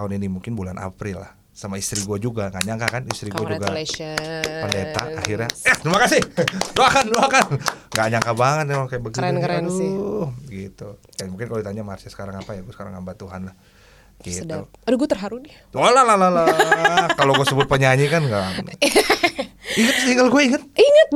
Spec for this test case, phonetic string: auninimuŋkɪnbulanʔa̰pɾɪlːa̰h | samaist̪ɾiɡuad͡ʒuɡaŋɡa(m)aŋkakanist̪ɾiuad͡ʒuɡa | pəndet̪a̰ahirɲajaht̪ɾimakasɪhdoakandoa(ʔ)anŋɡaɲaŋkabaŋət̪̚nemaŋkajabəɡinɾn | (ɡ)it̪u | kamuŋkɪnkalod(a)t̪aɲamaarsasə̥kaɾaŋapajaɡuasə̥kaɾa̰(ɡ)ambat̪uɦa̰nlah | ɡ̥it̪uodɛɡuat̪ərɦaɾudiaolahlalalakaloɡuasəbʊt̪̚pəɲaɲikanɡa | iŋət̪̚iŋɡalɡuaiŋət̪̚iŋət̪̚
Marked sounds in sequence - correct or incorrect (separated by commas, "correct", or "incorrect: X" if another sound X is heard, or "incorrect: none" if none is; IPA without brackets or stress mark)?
incorrect: ɲ, incorrect: k, correct, incorrect: i, incorrect: ŋ